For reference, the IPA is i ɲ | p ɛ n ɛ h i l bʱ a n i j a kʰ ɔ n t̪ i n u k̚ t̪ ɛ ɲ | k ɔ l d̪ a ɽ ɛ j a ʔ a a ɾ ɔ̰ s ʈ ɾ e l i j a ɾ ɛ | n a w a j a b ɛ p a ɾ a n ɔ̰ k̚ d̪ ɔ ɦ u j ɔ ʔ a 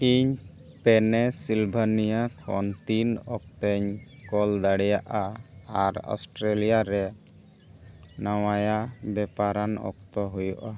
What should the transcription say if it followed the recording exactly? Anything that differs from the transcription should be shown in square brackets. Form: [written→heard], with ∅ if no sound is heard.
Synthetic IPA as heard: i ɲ | p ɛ n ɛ [h→s] i l bʱ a n i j a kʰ ɔ n t̪ i n [u→ɔ] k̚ t̪ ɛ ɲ | k ɔ l d̪ a ɽ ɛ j a ʔ a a ɾ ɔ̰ s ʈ ɾ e l i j a ɾ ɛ | n a w a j a b ɛ p a ɾ a n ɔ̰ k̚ [d̪→t̪] ɔ ɦ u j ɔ ʔ a

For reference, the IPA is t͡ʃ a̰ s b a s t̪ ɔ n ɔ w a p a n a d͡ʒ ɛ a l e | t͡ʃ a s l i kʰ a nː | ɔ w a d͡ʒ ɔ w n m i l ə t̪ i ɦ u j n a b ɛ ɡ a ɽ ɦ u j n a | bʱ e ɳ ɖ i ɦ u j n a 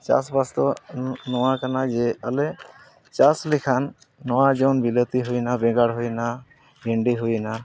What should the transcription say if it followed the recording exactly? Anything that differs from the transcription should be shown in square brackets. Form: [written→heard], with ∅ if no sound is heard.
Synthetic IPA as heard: t͡ʃ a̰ s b a s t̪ ɔ n ɔ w a [p→k] a n a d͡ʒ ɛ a l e | t͡ʃ a s l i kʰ a nː | ɔ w a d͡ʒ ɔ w n [m→b] i l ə t̪ i ɦ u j n a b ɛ ɡ a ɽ ɦ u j n a | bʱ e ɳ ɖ i ɦ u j n a

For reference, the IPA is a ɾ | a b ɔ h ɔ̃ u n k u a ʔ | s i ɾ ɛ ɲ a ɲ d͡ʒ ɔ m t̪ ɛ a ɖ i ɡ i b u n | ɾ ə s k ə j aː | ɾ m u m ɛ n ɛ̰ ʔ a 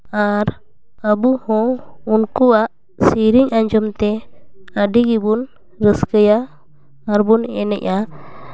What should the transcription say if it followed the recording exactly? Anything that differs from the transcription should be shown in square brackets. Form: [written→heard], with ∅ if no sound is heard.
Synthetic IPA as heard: a ɾ | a b [ɔ→u] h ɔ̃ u n k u a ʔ | s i ɾ [ɛ→i] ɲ a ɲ d͡ʒ ɔ m t̪ ɛ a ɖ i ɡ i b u n | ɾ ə s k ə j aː | ɾ [m→b] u [m→n] ɛ n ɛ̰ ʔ a

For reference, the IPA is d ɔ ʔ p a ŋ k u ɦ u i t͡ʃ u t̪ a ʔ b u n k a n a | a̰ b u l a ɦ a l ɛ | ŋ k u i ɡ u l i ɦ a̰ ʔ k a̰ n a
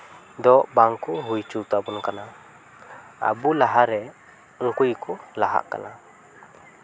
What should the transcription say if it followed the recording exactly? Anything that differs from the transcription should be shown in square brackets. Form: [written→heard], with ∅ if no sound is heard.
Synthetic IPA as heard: d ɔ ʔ [p→b] a ŋ k u ɦ u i t͡ʃ u t̪ a [ʔ→∅] b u n k a n a | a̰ b u l a ɦ a [l→ɾ] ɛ | ŋ k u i [ɡ→k] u l [i→a] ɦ a̰ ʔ k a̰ n a

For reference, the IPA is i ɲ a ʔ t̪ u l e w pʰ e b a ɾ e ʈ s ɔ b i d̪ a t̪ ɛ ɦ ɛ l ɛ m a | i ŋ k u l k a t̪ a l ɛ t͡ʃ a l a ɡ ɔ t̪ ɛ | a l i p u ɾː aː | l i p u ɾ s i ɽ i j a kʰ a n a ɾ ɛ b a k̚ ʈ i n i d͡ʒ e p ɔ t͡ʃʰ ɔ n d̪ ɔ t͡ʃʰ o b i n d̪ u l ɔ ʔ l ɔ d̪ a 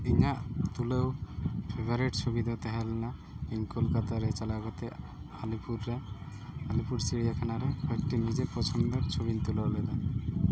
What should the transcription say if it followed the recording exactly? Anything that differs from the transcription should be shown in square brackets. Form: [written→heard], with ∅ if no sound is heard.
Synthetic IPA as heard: i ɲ a ʔ t̪ u l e w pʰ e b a ɾ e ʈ s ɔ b i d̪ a t̪ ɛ ɦ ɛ l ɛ [m→n] a | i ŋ k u l k a t̪ a [l→ɾ] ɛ t͡ʃ a l a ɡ ɔ t̪ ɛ | a l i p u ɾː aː | l i p u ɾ s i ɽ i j a kʰ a n a ɾ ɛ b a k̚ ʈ i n i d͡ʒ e p ɔ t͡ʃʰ ɔ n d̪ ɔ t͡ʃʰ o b i n [d̪→t̪] u l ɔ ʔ l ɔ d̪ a

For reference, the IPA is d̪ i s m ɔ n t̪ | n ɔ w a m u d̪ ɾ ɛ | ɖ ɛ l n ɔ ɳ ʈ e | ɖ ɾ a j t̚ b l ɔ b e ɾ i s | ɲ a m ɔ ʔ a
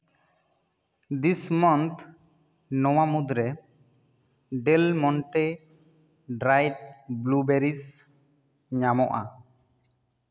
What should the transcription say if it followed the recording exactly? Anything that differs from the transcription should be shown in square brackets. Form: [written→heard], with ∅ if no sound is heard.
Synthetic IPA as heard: d̪ i s m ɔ n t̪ | n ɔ w a m u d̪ ɾ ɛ | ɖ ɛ l [n→m] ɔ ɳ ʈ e | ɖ ɾ a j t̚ b l [ɔ→u] b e ɾ i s | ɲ a m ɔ ʔ a

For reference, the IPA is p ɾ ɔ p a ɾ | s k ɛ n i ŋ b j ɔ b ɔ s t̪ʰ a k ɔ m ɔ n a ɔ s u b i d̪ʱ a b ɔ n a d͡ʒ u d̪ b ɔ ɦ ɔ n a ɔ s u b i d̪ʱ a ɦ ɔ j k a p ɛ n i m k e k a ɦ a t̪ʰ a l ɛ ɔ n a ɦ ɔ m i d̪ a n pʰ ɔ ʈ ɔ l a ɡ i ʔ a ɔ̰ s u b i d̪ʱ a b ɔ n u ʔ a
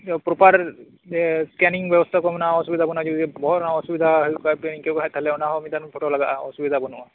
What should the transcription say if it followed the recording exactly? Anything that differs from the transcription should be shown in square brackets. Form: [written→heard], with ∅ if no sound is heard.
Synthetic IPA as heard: p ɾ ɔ p a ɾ | s k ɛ n i ŋ b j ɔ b ɔ s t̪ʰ a k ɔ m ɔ n a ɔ s u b i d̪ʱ a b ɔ n a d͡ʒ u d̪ b ɔ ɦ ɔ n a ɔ s u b i d̪ʱ a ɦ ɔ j k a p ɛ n i [m→ŋ] k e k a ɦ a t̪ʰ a l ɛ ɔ n a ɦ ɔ m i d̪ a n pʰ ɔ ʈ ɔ l a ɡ [i→a] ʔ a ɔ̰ s u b i d̪ʱ a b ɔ n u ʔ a

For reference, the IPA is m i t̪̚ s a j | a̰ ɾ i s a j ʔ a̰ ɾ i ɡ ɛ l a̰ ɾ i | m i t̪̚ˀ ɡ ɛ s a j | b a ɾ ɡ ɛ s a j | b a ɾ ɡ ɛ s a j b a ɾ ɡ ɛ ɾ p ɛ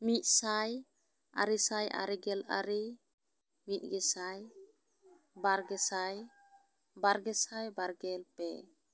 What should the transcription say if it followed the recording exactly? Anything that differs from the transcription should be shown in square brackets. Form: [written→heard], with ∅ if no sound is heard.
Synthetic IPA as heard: m i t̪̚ s a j | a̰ ɾ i s a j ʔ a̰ ɾ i ɡ ɛ l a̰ ɾ i | m i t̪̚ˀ ɡ ɛ s a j | b a ɾ ɡ ɛ s a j | b a ɾ ɡ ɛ s a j b a ɾ ɡ ɛ [ɾ→l] p ɛ

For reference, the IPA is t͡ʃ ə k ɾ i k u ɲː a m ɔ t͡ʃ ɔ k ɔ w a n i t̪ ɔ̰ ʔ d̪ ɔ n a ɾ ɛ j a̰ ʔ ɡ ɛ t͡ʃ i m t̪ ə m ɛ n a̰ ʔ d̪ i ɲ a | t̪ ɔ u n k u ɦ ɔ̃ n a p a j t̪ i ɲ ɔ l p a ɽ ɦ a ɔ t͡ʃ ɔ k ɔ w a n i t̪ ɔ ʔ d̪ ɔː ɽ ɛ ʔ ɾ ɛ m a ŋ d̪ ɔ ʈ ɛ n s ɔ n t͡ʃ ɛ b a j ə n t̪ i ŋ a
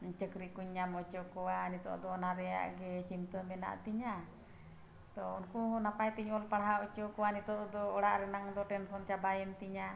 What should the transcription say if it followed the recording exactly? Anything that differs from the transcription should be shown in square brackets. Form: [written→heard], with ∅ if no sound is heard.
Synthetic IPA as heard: t͡ʃ ə k ɾ i k u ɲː a m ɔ t͡ʃ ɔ k ɔ w a n i t̪ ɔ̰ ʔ d̪ ɔ n a ɾ ɛ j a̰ ʔ ɡ ɛ t͡ʃ i m t̪ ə m ɛ n a̰ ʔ [d̪→t̪] i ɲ a | t̪ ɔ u n k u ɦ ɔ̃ n a p a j t̪ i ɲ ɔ l p a ɽ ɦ a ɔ t͡ʃ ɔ k ɔ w a n i t̪ ɔ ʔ d̪ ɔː ɽ [ɛ→a] ʔ ɾ ɛ [m→n] a ŋ d̪ ɔ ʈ ɛ n s ɔ n t͡ʃ [ɛ→a] b a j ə n t̪ i [ŋ→ɲ] a

